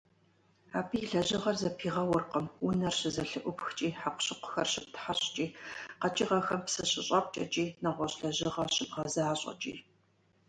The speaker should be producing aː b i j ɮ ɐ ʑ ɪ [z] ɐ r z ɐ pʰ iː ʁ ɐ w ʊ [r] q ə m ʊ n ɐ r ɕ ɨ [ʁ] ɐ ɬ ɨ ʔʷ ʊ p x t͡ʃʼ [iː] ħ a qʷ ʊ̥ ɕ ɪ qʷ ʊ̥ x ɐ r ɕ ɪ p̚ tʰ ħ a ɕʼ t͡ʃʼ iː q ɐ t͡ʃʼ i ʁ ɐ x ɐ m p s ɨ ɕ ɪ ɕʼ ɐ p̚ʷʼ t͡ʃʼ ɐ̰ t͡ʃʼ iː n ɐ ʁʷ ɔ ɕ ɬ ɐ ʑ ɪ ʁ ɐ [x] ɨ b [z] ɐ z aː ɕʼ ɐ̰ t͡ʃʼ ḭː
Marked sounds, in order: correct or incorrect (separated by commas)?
incorrect, correct, incorrect, correct, incorrect, incorrect